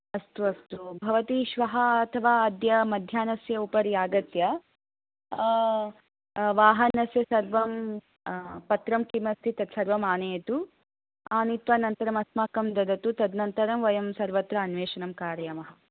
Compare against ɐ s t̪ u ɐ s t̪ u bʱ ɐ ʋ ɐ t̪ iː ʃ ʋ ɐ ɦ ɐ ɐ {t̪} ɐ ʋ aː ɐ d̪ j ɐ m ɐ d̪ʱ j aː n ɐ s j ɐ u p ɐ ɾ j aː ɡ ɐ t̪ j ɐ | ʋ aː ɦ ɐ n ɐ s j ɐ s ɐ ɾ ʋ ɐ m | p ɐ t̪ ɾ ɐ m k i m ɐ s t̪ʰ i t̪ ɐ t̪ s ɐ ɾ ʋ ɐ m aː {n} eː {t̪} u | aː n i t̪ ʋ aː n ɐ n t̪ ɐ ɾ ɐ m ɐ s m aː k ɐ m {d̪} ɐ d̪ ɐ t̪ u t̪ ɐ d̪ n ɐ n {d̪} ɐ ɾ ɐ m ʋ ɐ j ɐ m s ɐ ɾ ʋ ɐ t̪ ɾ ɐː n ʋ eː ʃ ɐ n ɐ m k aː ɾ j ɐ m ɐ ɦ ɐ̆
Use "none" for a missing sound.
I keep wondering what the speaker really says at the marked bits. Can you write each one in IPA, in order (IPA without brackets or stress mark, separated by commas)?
t̪ʰ, n, t̪, d̪, t̪